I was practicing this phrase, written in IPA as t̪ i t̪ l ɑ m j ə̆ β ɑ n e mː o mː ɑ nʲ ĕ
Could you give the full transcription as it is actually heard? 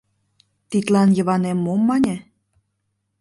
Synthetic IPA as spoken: t̪ i t̪ l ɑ n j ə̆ β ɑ n e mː o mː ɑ nʲ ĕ